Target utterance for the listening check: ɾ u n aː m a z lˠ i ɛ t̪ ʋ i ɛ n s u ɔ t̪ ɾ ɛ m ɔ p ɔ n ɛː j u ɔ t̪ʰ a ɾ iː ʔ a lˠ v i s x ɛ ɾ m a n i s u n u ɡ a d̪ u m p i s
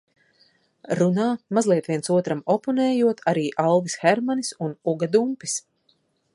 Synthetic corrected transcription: ɾ u n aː m a z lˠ i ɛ t̪ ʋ i ɛ n s u ɔ t̪ ɾ a m ɔ p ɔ n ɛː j u ɔ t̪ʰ a ɾ iː ʔ a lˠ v i s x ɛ ɾ m a n i s u n u ɡ a d̪ u m p i s